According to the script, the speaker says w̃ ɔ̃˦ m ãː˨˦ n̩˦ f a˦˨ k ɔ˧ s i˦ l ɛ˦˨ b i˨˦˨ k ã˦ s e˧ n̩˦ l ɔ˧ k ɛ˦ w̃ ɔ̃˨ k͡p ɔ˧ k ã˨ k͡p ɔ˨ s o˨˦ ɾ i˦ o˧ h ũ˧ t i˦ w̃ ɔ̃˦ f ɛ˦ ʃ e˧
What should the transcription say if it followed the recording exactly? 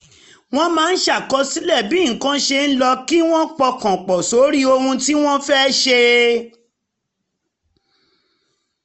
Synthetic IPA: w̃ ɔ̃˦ m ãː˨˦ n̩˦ ʃ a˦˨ k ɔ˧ s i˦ l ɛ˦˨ b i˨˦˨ k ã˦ ʃ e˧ n̩˦ l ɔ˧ k i˦ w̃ ɔ̃˦ k͡p ɔ˧ k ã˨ k͡p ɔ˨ s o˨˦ ɾ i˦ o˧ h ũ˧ t i˦ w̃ ɔ̃˦ f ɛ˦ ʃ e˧

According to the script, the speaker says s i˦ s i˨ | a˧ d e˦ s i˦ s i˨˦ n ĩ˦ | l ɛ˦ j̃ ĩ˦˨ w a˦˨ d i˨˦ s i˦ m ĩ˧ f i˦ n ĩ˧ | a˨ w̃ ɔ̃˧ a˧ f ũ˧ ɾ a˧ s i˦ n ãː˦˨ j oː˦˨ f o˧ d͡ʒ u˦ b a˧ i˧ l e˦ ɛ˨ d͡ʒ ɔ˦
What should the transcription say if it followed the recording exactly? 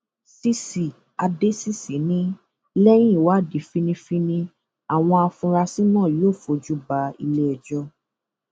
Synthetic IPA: s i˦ s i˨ | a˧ d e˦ s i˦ s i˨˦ n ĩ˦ | l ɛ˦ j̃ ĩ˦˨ w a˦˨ d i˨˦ f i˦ n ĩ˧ f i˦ n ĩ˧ | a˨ w̃ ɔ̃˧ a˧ f ũ˧ ɾ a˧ s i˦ n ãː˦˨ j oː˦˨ f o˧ d͡ʒ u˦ b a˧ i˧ l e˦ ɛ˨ d͡ʒ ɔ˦

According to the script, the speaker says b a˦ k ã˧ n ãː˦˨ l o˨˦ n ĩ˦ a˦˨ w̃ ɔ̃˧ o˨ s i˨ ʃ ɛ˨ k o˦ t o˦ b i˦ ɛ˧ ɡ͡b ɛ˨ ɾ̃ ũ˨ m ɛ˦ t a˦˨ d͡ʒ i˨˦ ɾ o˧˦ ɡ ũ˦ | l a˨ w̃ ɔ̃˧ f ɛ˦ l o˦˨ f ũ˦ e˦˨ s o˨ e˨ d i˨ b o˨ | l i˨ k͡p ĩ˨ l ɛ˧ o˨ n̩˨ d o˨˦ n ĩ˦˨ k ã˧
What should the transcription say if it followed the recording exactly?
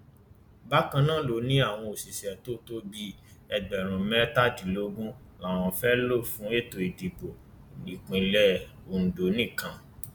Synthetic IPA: b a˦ k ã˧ n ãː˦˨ l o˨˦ n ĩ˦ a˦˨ w̃ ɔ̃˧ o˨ s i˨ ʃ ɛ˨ t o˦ t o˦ b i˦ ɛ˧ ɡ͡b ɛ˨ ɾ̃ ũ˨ m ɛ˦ t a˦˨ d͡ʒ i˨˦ l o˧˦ ɡ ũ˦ | l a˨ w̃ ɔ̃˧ f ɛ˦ l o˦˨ f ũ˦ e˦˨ t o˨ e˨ d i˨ b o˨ | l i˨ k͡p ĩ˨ l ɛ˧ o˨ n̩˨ d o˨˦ n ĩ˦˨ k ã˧

